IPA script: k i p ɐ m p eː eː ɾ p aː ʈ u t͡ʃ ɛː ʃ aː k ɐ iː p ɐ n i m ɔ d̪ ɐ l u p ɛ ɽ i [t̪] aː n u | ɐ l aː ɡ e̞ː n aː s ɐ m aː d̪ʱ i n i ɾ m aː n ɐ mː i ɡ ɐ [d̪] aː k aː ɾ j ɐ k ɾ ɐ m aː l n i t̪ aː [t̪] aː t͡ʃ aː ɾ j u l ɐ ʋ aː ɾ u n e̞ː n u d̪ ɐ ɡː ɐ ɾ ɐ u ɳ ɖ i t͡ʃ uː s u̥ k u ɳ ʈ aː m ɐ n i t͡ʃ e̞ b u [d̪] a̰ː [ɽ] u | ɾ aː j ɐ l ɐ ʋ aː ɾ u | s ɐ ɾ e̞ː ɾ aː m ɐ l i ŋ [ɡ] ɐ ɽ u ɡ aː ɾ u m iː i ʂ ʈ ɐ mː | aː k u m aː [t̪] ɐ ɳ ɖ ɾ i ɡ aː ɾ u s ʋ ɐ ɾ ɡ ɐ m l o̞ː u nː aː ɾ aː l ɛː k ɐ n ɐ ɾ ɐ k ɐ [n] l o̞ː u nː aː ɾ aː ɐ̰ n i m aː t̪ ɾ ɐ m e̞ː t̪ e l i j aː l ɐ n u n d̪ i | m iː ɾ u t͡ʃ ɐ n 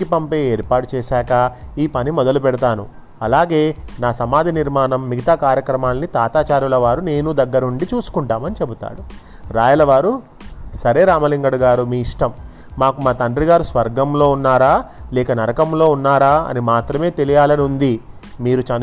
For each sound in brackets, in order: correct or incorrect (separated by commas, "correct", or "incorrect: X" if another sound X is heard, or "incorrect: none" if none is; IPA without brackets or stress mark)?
correct, incorrect: t̪, correct, incorrect: t̪, correct, correct, correct, incorrect: m